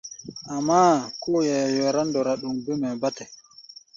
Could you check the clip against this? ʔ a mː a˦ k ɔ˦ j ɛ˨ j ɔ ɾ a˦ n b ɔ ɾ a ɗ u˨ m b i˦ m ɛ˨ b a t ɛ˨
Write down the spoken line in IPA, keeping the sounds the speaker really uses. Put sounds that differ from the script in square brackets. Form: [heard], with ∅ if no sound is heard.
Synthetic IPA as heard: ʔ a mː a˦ k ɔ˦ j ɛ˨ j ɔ ɾ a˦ n [d] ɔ ɾ a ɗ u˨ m b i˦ m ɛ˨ b a t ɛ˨